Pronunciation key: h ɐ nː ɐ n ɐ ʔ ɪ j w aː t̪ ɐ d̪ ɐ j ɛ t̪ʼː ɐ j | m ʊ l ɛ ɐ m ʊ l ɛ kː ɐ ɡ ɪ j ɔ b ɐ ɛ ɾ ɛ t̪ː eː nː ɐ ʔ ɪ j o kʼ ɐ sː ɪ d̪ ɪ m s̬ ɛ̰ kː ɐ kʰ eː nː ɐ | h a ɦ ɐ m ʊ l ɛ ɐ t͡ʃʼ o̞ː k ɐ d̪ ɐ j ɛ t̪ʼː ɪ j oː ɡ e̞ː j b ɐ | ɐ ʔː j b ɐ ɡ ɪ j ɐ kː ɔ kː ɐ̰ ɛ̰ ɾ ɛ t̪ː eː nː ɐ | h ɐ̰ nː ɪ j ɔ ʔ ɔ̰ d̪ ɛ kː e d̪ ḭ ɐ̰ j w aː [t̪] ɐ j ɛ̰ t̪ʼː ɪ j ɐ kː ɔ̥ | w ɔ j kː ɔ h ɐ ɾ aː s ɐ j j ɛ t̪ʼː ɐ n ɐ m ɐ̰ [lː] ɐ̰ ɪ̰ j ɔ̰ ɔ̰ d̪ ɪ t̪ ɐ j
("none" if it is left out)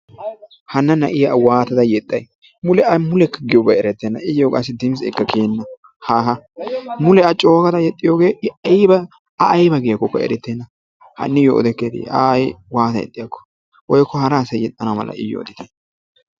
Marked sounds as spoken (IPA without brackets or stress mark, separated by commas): t̪, l